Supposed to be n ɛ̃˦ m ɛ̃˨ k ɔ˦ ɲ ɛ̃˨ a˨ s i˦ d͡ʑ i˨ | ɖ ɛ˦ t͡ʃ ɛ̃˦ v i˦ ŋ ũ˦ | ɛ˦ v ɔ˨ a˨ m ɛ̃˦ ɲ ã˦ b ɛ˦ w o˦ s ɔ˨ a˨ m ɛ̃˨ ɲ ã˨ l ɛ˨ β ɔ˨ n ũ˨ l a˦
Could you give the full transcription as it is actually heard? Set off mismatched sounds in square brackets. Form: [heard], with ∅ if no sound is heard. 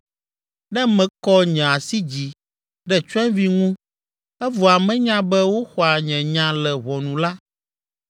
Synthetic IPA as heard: n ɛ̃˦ m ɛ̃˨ k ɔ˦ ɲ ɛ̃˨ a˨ s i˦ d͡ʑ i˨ | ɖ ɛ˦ t͡ʃ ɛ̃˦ v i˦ ŋ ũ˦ | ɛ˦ v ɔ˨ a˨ m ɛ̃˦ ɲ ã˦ b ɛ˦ w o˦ [x] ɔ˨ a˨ [ɲ] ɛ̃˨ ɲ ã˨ l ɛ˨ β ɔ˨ n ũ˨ l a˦